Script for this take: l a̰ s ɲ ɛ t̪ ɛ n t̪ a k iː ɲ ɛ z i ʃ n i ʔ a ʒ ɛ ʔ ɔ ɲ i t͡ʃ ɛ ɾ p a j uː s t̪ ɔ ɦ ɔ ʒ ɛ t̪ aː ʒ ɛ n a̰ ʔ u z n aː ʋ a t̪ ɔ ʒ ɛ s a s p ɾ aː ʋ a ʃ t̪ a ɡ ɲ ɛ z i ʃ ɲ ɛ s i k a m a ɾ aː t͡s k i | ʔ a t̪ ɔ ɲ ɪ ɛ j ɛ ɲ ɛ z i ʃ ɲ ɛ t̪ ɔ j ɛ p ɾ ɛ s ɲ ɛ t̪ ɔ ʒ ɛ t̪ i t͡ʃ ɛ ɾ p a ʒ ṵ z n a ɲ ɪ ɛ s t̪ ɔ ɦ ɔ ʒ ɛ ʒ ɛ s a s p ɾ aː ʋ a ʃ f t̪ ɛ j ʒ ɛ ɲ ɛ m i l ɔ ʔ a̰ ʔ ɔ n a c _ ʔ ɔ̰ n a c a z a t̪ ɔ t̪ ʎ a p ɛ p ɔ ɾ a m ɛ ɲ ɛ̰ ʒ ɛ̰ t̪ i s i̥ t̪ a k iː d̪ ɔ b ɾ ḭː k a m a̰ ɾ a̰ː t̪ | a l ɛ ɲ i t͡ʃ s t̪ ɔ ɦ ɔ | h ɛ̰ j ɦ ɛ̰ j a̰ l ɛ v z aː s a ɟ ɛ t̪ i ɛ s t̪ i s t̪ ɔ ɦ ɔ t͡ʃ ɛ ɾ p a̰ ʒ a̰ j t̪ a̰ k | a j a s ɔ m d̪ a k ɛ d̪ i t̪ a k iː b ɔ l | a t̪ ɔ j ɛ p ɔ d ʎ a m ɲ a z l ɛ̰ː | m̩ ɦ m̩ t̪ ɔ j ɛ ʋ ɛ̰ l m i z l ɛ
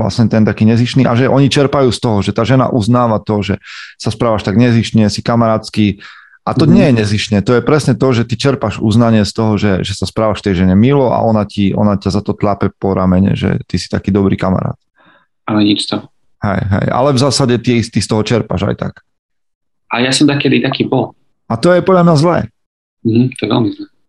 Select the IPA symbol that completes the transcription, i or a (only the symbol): i